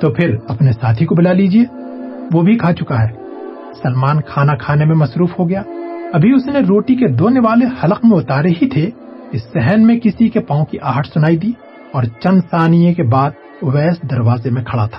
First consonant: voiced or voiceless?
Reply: voiceless